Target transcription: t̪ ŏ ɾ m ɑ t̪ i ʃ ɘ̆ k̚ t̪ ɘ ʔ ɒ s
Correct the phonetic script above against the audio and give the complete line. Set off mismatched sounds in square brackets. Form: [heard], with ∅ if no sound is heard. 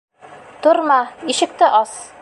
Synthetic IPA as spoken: t̪ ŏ ɾ m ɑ [∅] i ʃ ɘ̆ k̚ t̪ ɘ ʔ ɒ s